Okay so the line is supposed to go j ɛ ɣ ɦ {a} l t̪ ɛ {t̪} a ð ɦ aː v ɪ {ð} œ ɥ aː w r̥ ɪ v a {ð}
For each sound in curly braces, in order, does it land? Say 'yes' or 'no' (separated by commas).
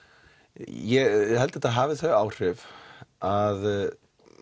no, yes, no, yes